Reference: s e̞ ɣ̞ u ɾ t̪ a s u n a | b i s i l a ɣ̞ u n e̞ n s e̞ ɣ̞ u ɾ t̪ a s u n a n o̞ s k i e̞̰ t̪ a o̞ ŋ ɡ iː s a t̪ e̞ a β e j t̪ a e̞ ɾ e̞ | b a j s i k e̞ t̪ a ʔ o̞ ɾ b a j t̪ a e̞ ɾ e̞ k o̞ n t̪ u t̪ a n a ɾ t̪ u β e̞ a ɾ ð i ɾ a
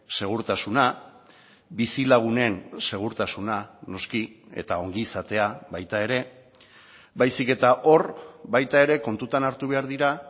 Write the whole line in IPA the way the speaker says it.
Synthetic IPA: s e̞ ɣ̞ u ɾ t̪ a s u n a | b i s i l a ɣ̞ u n e̞ n s e̞ ɣ̞ u ɾ t̪ a s u n a n o̞ s k i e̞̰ t̪ a o̞ ŋ ɡ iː s a t̪ e̞ a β a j t̪ a e̞ ɾ e̞ | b a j s i k e̞ t̪ a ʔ o̞ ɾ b a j t̪ a e̞ ɾ e̞ k o̞ n t̪ u t̪ a n a ɾ t̪ u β e̞ a ɾ ð i ɾ a